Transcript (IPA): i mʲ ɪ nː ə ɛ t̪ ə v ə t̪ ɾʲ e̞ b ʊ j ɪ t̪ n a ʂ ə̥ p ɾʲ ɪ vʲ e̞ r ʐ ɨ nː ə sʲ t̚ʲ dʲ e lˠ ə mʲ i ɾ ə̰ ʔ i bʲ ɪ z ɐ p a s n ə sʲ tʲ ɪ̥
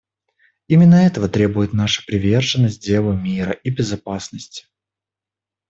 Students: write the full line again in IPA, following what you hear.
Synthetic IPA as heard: i mʲ ɪ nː ə ɛ t̪ ə v ə t̪ ɾʲ e̞ b ʊ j ɪ t̪ n a ʂ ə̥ p ɾʲ ɪ vʲ e̞ r ʐ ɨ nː ə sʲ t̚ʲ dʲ e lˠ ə mʲ i ɾ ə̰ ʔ i bʲ ɪ z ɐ p a s n ə sʲ tʲ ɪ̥

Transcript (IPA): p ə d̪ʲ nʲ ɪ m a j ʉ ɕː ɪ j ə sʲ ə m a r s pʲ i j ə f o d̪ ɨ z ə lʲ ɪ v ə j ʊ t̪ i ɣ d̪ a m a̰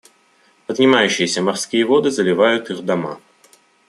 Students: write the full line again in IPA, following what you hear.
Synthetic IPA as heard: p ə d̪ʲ nʲ ɪ m a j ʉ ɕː ɪ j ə sʲ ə m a r s kʲ i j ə v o d̪ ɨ z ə lʲ ɪ v a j ʊ t̪ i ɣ d̪ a m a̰

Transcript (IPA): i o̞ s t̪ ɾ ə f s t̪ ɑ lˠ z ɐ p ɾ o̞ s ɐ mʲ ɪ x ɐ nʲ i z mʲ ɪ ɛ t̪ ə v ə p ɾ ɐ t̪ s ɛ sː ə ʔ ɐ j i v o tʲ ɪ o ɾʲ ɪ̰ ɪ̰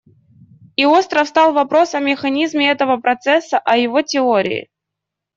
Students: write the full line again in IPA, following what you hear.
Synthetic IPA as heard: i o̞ s t̪ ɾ ə f s t̪ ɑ lˠ v ɐ p ɾ o̞ s ɐ mʲ ɪ x ɐ nʲ i z mʲ ɪ ɛ t̪ ə v ə p ɾ ɐ t̪ s ɛ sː ə ʔ ɐ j ɪ v o tʲ ɪ o ɾʲ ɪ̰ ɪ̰

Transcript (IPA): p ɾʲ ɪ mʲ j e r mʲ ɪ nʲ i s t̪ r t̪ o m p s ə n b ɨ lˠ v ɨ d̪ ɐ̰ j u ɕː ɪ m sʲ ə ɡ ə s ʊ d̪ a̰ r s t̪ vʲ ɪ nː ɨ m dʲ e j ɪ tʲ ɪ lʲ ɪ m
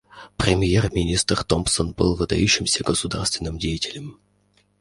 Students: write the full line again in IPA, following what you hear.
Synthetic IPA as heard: p ɾʲ ɪ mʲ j e r mʲ ɪ nʲ i s t̪ r t̪ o m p s ə n b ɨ lˠ v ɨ d̪ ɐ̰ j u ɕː ɪ m sʲ ə ɡ ə s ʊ d̪ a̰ r s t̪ vʲ ɪ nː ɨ m dʲ e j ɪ tʲ ɪ lʲ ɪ m

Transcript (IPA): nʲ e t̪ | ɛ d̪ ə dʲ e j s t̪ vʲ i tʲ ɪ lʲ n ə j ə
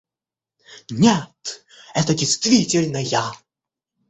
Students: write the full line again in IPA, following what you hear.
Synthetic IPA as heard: nʲ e t̪ | ɛ t̪ ə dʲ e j s t̪ vʲ i tʲ ɪ lʲ n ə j a

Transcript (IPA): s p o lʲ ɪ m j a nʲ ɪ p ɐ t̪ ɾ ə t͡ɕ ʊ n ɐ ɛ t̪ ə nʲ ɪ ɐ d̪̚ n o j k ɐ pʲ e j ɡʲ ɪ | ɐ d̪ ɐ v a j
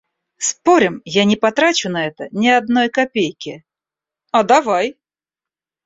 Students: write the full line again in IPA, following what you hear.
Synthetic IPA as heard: s p o ɾʲ ɪ m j a nʲ ɪ p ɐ t̪ ɾ a t͡ɕ ʊ n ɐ ɛ t̪ ə nʲ ɪ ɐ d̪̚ n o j k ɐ pʲ e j kʲ ɪ | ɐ d̪ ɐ v a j

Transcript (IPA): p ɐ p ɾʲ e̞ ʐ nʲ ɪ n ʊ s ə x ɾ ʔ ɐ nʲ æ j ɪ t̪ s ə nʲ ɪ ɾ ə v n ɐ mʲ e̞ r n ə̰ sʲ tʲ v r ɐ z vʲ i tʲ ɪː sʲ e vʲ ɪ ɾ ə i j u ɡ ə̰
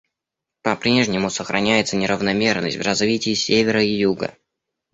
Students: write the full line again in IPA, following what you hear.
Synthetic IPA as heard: p ɐ p ɾʲ e̞ ʐ nʲ ɪ m ʊ s ə x ɾ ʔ ɐ nʲ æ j ɪ t̪ s ə nʲ ɪ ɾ ə v n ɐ mʲ e̞ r n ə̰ sʲ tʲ v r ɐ z vʲ i tʲ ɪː sʲ e vʲ ɪ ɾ ə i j u ɡ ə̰

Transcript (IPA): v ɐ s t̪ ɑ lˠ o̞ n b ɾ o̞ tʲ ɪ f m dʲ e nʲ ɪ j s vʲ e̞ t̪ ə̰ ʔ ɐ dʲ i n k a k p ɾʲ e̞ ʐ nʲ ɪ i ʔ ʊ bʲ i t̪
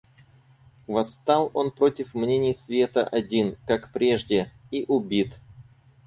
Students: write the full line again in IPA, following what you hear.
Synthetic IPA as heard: v ɐ s t̪ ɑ lˠ o̞ n p ɾ o̞ tʲ ɪ f m nʲ e nʲ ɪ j s vʲ e̞ t̪ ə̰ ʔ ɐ dʲ i n k a k p ɾʲ e̞ ʐ dʲ ɪ i ʔ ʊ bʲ i t̪

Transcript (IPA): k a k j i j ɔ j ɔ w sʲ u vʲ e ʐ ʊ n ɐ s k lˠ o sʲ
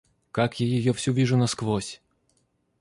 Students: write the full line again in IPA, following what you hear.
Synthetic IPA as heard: k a k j a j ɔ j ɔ w sʲ u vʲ i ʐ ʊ n ɐ s k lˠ ɔ sʲ

